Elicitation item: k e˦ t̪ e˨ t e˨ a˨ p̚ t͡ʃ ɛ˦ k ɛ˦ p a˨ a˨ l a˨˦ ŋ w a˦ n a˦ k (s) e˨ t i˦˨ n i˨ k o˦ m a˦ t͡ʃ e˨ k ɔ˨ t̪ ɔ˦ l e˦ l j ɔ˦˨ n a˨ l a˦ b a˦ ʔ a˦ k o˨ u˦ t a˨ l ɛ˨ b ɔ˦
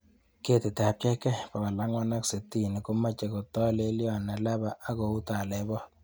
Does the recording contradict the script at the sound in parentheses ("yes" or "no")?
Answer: no